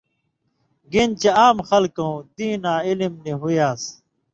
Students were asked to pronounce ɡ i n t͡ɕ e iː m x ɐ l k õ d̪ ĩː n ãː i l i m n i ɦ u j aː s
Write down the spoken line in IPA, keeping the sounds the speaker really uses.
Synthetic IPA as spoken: ɡ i n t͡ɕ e aː m x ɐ l k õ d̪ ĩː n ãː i l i m n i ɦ u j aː s